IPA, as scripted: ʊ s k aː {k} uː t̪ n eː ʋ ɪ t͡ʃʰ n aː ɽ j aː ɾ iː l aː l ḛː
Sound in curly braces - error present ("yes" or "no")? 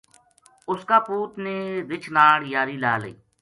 yes